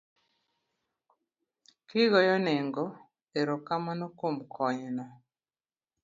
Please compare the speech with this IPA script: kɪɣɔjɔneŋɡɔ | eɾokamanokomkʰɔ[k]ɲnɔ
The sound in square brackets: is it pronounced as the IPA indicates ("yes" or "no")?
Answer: no